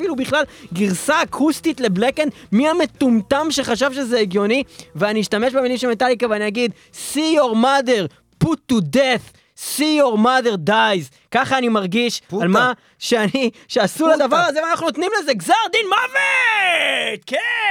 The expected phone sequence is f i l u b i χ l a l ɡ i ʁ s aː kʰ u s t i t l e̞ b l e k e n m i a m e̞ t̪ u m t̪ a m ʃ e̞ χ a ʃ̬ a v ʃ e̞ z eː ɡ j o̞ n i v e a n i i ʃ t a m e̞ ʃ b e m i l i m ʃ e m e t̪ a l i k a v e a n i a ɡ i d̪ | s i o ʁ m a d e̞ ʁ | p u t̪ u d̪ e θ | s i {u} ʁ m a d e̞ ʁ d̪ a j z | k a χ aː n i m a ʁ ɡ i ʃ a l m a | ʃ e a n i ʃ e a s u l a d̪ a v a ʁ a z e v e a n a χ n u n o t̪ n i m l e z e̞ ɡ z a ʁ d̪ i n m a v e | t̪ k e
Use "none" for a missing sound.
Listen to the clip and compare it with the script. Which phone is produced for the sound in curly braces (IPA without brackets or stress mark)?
o